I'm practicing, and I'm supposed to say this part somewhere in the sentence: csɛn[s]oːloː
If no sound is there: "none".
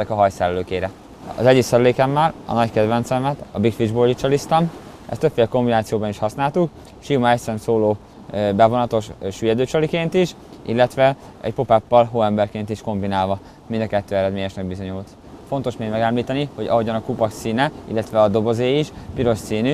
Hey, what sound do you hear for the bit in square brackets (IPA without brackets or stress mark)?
s